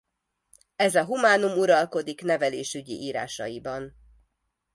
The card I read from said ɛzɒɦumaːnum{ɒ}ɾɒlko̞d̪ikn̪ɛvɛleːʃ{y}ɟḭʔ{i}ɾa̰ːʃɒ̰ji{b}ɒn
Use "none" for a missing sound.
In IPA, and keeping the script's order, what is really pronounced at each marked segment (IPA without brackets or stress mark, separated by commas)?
u, y, iː, b